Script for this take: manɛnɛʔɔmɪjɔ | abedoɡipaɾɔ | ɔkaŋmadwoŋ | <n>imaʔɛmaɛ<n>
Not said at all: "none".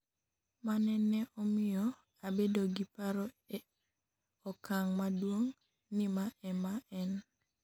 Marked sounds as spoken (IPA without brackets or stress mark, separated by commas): n, n